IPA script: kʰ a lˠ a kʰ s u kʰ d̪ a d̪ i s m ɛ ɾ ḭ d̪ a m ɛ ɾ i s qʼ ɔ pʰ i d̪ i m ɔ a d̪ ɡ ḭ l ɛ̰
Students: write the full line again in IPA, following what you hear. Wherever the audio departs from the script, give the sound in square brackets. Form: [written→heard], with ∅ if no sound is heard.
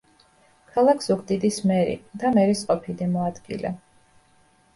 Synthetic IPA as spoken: kʰ a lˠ a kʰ s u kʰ d̪ [a→i] d̪ i s m ɛ ɾ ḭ d̪ a m ɛ ɾ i s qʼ ɔ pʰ i d̪ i m ɔ a d̪ ɡ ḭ l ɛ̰

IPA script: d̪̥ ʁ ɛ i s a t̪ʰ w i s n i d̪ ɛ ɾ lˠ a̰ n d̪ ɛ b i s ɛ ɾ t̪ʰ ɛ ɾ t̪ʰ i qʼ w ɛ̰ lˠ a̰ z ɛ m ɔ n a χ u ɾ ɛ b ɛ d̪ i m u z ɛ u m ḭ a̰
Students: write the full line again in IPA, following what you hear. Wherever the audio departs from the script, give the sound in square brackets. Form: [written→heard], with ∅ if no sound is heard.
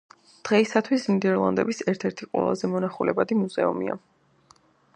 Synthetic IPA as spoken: d̪̥ ʁ ɛ i s a t̪ʰ w i s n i d̪ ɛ ɾ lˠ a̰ n d̪ ɛ b i s ɛ ɾ t̪ʰ ɛ ɾ t̪ʰ i qʼ w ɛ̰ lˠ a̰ z ɛ m ɔ n a χ u [ɾ→l] ɛ b [ɛ→a] d̪ i m u z ɛ u m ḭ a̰

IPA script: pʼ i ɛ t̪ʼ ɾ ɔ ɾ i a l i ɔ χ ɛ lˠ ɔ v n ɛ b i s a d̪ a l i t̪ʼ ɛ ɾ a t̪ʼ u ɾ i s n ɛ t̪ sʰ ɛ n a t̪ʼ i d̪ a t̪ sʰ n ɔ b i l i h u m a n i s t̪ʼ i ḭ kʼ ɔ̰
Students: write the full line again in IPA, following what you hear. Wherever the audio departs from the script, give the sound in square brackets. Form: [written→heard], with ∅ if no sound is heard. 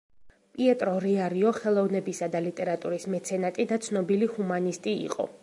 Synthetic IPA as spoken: pʼ i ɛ t̪ʼ ɾ ɔ ɾ i a [l→ɾ] i ɔ χ ɛ lˠ ɔ v n ɛ b i s a d̪ a l i t̪ʼ ɛ ɾ a t̪ʼ u ɾ i s [n→m] ɛ t̪ sʰ ɛ n a t̪ʼ i d̪ a t̪ sʰ n ɔ b i l i h u m a n i s t̪ʼ i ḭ [kʼ→qʼ] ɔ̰

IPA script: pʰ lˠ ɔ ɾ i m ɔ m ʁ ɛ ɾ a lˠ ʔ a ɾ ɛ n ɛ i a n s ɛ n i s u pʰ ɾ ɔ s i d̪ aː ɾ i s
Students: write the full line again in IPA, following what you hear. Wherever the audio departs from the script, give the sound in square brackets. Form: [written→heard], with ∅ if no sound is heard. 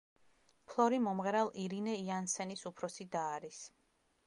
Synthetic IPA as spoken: pʰ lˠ ɔ ɾ i m ɔ m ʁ ɛ ɾ a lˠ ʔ [a→i] ɾ [ɛ→i] n ɛ i a n s ɛ n i s u pʰ ɾ ɔ s i d̪ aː ɾ i s

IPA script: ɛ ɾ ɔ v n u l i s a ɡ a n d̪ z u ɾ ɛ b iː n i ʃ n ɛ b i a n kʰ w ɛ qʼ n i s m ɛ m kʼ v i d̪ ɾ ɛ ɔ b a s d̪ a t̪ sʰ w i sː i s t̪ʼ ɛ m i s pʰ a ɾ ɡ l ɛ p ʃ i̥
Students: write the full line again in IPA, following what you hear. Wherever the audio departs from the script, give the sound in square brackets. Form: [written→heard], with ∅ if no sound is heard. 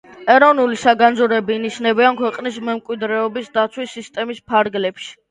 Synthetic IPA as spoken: ɛ ɾ ɔ v n u l i s a ɡ a n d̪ z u ɾ ɛ b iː n i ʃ n ɛ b i a n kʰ w ɛ qʼ n i s m ɛ m kʼ [v→w] i d̪ ɾ ɛ ɔ b [a→i] s d̪ a t̪ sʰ w i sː i s t̪ʼ ɛ m i s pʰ a ɾ ɡ l ɛ p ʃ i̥

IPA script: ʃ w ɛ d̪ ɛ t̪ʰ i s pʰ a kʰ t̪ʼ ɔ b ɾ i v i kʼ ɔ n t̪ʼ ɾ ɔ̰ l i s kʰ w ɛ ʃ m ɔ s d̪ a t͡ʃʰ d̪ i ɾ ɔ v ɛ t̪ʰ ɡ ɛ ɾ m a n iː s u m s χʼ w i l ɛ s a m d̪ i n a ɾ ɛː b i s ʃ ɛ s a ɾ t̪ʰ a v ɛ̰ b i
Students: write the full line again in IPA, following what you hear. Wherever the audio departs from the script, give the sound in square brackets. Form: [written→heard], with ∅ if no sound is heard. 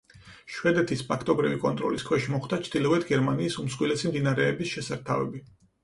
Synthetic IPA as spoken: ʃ w ɛ d̪ ɛ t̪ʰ i s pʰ a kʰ t̪ʼ ɔ b ɾ i v i kʼ ɔ n t̪ʼ ɾ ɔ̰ l i s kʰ w ɛ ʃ m ɔ [s→χ] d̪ a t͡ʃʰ d̪ i [ɾ→l] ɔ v ɛ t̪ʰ ɡ ɛ ɾ m a n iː s u m s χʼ w i l ɛ s [a→i] m d̪ i n a ɾ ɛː b i s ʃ ɛ s a ɾ t̪ʰ a v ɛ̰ b i

